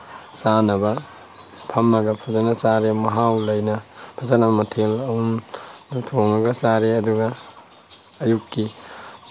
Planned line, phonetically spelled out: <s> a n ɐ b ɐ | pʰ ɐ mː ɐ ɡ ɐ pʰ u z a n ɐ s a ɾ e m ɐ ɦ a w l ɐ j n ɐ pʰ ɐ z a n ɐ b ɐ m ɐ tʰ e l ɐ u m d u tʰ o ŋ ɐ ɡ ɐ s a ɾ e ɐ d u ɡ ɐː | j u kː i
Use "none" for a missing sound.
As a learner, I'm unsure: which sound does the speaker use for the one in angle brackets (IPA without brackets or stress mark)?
s